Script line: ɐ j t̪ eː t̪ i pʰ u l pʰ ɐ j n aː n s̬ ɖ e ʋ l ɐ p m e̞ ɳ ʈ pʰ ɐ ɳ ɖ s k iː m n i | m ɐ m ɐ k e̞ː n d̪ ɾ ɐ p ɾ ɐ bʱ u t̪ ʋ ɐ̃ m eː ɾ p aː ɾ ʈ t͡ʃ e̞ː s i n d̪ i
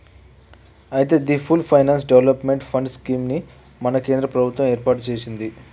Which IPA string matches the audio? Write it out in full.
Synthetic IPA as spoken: ɐ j t̪ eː d̪ i pʰ u l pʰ ɐ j n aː n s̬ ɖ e ʋ l ɐ p m e̞ ɳ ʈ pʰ ɐ ɳ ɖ s k iː m n i | m ɐ n ɐ k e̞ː n d̪ ɾ ɐ p ɾ ɐ bʱ u t̪ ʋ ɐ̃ m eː ɾ p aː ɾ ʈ t͡ʃ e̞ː s i n d̪ i